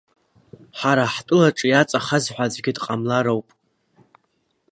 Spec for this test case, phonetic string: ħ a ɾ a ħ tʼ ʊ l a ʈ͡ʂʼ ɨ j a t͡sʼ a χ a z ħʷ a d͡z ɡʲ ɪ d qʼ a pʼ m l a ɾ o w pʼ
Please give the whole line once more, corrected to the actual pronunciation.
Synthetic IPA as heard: ħ a ɾ a ħ tʼ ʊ l a ʈ͡ʂʼ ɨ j a t͡sʼ a χ a z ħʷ a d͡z ɡʲ ɪ d qʼ a m l a ɾ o w pʼ